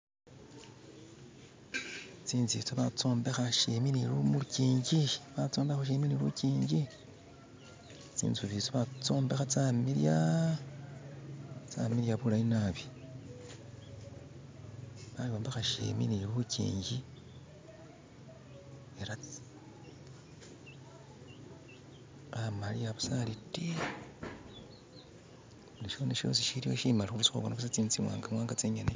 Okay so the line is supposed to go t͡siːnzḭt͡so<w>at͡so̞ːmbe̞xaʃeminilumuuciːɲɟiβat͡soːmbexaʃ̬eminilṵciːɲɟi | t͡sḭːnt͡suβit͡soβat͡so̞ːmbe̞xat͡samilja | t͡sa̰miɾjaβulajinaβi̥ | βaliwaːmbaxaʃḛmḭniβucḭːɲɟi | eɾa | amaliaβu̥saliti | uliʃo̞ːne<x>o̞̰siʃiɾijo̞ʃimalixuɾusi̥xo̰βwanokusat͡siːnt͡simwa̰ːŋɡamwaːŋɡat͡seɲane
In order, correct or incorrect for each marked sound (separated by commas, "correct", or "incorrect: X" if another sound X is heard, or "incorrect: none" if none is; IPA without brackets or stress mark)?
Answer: incorrect: β, incorrect: ʃ